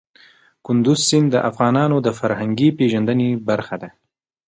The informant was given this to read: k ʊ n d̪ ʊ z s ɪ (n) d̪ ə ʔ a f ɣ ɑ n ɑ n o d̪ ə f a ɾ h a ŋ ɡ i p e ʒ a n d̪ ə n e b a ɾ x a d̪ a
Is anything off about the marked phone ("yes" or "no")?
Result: no